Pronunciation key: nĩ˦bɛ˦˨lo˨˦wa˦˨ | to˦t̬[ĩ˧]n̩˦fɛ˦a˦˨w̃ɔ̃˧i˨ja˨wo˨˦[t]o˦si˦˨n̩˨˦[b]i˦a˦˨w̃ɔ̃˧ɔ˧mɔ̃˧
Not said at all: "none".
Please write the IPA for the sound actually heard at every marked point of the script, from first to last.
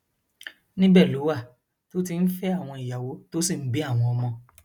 i˧, t, b

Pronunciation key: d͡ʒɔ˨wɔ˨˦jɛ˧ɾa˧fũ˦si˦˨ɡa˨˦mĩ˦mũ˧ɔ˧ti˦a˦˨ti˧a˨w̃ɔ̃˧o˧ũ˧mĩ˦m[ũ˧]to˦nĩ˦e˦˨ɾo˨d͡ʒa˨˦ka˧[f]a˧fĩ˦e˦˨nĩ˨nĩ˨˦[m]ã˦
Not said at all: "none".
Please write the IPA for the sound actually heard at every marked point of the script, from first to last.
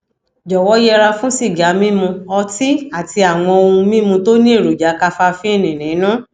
ũ˧, f, n

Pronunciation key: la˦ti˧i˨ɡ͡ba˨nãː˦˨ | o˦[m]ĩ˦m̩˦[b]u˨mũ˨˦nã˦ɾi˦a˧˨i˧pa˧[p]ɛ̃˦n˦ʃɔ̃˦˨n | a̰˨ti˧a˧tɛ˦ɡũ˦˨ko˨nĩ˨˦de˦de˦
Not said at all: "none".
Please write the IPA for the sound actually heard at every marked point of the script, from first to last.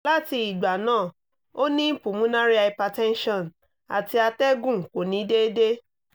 n, p, t

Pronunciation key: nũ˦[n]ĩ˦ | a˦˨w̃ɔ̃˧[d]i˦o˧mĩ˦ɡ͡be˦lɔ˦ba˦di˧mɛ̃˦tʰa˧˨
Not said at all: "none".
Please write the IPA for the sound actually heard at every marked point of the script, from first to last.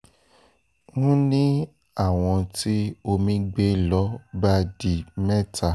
n, t

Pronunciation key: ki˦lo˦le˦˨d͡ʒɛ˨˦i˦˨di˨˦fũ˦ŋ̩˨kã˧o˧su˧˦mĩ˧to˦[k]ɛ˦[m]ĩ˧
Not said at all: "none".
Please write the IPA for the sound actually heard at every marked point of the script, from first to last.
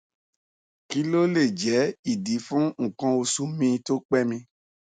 k͡p, m

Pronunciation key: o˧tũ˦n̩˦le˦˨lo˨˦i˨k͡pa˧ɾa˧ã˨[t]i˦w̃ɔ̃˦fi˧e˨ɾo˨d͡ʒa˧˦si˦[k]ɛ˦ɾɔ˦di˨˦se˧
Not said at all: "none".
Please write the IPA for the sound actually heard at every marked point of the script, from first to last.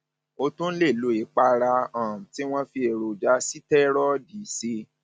t, t

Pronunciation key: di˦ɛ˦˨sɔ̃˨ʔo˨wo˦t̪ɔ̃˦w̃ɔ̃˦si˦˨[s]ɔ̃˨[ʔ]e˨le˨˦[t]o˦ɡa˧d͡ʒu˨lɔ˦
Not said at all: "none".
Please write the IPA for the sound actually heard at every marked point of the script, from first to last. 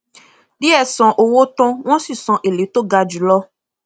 s, ʔ, t

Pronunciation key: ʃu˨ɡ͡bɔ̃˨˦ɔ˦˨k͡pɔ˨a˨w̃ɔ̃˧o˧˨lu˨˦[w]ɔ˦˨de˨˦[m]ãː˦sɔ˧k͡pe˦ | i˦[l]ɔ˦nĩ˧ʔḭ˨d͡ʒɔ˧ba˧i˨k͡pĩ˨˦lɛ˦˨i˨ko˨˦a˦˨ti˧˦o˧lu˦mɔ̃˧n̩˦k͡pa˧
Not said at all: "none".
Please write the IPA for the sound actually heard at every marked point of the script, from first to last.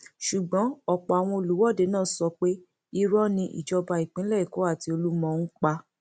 w, n, ɾ

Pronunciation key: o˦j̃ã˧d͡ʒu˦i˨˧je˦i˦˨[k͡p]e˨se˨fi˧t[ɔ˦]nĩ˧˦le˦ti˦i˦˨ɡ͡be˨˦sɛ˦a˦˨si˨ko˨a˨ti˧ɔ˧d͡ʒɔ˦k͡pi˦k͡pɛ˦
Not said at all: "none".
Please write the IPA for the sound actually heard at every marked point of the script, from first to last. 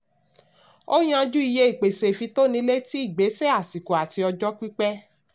k͡p, o˦

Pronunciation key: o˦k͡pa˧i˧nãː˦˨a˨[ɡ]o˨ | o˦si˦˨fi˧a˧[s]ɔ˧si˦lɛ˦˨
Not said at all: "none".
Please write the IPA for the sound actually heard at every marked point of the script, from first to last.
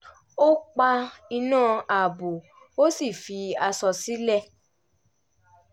b, s

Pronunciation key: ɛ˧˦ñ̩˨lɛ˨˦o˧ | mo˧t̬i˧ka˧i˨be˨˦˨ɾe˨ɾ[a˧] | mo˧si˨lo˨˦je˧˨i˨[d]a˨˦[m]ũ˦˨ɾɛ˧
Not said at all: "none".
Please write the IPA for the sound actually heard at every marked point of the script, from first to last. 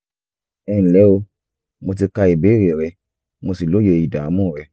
ɛ˧, d, m

